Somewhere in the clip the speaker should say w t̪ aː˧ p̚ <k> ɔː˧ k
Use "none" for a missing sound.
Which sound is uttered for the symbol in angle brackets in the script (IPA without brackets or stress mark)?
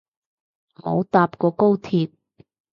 k